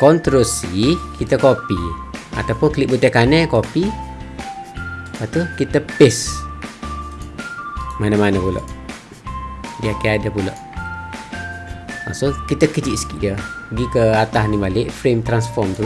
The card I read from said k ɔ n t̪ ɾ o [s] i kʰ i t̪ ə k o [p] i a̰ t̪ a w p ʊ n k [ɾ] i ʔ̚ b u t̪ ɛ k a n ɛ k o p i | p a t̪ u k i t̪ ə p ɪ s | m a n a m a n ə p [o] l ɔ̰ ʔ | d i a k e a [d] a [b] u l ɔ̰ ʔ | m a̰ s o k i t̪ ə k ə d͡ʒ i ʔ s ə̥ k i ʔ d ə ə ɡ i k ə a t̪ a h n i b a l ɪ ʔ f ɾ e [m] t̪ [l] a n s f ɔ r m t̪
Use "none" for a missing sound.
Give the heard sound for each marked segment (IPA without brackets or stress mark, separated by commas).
s, p, l, u, d, p, m, ɾ